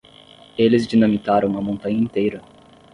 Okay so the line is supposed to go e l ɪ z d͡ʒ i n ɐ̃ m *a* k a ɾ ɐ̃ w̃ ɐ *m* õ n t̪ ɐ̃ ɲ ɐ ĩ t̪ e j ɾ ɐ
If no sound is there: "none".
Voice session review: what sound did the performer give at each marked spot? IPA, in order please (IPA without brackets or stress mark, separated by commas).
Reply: i, m